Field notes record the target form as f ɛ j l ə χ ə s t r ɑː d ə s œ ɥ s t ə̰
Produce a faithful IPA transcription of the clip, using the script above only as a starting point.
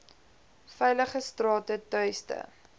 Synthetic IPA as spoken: f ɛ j l ə χ ə s t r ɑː t ə t œ ɥ s t ə̰